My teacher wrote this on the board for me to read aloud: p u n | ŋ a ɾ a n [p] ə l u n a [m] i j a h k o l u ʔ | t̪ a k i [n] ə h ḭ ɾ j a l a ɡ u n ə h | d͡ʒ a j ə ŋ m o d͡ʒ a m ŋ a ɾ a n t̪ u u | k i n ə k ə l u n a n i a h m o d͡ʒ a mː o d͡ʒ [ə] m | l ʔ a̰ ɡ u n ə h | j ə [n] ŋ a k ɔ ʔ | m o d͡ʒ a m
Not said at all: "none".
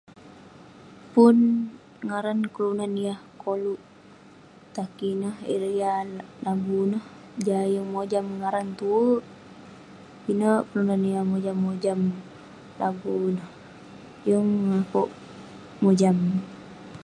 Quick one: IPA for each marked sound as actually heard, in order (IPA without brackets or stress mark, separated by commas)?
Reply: k, n, n, a, ŋ